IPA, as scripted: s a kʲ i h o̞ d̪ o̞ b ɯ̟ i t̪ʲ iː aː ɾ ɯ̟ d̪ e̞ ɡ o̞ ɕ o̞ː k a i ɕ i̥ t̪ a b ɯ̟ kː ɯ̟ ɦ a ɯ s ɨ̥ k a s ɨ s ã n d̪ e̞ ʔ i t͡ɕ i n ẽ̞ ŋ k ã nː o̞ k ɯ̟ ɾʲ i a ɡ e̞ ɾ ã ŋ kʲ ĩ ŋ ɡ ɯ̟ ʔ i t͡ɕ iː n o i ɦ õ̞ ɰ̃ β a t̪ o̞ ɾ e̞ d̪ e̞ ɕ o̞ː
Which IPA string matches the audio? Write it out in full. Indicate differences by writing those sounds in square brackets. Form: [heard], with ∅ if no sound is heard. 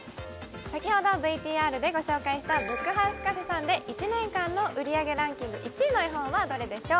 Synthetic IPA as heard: s a kʲ i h o̞ d̪ o̞ b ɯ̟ i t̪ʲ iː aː ɾ ɯ̟ d̪ e̞ ɡ o̞ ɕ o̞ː k a i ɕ i̥ t̪ a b ɯ̟ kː ɯ̟ ɦ a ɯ s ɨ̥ k a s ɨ s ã n d̪ e̞ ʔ i t͡ɕ i n ẽ̞ ŋ k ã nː o̞ [ʔ] ɯ̟ ɾʲ i a ɡ e̞ ɾ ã ŋ kʲ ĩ ŋ ɡ ɯ̟ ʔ i t͡ɕ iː n o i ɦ õ̞ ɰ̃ β a [d̪] o̞ ɾ e̞ d̪ e̞ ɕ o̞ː